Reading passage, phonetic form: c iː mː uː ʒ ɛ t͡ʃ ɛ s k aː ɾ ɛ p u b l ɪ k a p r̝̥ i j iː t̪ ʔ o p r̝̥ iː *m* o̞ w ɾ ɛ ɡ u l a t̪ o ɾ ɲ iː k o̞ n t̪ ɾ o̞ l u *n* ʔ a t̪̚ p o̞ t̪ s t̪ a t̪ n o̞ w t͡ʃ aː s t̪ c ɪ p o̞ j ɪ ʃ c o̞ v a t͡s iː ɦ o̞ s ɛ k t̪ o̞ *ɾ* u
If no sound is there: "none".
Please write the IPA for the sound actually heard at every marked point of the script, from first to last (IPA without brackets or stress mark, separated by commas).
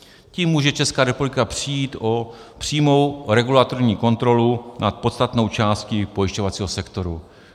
m, n, ɾ